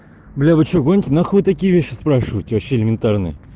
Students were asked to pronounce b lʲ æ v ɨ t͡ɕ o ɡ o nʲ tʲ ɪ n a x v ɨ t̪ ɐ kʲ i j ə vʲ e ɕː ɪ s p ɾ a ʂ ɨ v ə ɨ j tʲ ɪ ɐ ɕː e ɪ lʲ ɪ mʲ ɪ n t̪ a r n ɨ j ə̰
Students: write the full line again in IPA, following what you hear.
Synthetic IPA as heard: b lʲ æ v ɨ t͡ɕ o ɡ o nʲ tʲ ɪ n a x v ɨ t̪ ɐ kʲ i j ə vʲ e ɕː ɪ s p ɾ a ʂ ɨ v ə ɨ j tʲ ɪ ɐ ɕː e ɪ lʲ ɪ mʲ ɪ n t̪ a r n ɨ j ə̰